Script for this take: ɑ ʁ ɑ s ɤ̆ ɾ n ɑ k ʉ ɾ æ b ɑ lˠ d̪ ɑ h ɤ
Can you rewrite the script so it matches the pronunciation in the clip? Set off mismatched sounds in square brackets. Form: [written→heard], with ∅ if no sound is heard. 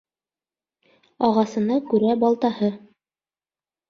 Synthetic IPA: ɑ ʁ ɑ s ɤ̆ [ɾ→∅] n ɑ k ʉ ɾ æ b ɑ lˠ [d̪→t̪] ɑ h ɤ